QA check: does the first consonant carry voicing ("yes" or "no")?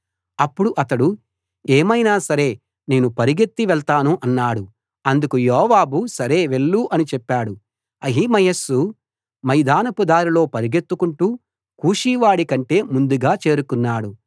no